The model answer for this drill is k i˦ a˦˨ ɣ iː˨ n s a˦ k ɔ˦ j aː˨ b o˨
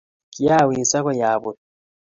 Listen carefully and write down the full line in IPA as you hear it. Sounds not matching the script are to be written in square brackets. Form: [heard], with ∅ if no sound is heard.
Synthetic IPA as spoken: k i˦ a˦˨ [w] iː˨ n s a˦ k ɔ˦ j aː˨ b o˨